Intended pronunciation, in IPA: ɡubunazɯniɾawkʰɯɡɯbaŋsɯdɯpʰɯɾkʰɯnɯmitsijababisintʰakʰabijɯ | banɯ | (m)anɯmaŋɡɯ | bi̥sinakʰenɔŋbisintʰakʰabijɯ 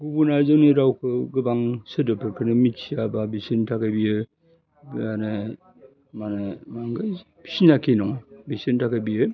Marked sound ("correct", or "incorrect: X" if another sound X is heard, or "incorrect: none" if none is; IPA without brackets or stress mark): correct